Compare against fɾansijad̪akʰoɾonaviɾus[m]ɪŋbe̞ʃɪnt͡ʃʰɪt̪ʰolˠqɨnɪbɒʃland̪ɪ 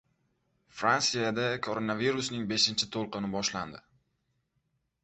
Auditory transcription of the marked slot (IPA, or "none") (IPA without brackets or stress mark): n